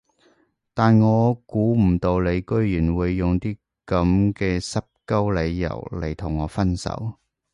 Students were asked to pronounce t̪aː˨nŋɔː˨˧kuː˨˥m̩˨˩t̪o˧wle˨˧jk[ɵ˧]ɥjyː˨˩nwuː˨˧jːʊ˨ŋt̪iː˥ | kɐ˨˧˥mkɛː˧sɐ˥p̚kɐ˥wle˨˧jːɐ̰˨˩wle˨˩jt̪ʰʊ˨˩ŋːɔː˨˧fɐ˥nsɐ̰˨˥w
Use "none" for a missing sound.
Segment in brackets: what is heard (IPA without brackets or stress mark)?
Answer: ɵ˥